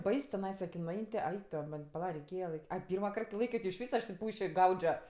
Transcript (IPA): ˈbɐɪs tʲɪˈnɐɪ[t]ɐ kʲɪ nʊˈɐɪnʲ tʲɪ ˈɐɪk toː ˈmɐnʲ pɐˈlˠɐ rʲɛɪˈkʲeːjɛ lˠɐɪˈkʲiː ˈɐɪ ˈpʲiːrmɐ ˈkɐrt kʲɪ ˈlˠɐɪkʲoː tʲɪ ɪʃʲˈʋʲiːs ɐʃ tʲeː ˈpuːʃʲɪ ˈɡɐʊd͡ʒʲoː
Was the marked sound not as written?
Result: yes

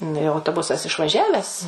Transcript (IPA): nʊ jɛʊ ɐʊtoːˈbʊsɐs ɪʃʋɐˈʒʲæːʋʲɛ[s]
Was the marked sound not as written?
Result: no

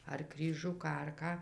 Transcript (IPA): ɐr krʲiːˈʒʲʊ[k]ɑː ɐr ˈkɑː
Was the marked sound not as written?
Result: no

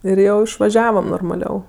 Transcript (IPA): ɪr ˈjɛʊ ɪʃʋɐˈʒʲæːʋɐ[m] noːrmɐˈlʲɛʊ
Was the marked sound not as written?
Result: no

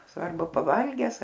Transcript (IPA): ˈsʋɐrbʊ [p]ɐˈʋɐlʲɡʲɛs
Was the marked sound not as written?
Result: no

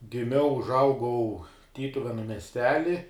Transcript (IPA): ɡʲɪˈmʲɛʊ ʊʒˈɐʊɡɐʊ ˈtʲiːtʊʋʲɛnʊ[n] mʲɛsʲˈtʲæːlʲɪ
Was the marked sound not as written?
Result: yes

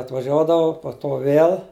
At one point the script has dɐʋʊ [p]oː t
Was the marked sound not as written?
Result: no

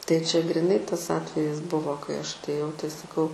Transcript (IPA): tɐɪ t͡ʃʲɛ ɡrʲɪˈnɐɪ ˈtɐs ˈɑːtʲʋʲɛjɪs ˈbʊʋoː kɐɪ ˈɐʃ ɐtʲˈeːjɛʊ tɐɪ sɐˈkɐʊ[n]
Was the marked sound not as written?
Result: yes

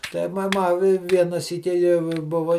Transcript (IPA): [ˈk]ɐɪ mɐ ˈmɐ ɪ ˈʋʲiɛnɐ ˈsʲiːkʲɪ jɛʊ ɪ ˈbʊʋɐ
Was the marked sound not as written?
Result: yes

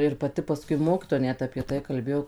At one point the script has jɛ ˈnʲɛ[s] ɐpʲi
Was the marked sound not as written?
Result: yes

